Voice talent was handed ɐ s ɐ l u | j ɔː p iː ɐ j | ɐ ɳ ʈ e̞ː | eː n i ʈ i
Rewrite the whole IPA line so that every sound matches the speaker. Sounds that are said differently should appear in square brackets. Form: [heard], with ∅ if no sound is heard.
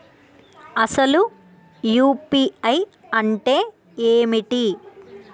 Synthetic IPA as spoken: ɐ s ɐ l u | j [uː] p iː ɐ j | ɐ ɳ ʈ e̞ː | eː [m] i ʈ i